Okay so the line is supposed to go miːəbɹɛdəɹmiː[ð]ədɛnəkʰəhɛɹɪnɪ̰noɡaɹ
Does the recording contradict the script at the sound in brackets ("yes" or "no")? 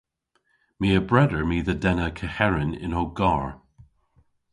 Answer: no